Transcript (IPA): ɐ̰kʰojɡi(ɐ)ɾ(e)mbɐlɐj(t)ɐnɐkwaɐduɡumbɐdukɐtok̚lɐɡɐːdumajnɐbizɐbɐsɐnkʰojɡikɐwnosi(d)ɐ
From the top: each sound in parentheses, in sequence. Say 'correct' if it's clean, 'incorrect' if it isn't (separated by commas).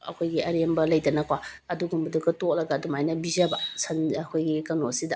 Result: correct, correct, incorrect, correct